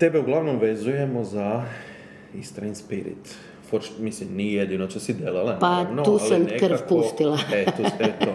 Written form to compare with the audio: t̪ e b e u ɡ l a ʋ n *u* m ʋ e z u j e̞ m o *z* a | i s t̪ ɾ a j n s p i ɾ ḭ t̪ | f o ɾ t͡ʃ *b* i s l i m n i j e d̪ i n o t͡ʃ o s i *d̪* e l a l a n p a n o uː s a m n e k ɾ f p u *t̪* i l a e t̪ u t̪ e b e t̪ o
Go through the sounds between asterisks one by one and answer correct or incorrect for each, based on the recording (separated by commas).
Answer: incorrect, correct, incorrect, correct, correct